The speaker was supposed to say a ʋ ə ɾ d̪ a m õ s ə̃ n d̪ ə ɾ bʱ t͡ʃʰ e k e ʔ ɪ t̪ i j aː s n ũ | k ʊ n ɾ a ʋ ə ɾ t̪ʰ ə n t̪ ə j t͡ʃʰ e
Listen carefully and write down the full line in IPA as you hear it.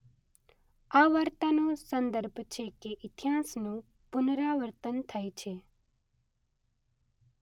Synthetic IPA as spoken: a ʋ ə ɾ t̪ a n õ s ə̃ n d̪ ə ɾ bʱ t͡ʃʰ e k e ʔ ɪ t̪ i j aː s n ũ | p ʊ n ɾ a ʋ ə ɾ t̪ ə n t̪ʰ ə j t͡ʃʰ e